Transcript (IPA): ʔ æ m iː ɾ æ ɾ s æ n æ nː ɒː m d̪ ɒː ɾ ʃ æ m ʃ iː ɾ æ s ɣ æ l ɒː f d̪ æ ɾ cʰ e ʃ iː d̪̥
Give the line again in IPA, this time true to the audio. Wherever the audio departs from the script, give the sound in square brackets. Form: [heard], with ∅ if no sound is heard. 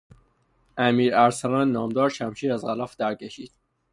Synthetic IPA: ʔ æ m iː ɾ æ ɾ s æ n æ nː ɒː m d̪ ɒː ɾ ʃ æ m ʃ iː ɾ æ [z] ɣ æ l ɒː f d̪ æ ɾ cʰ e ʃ iː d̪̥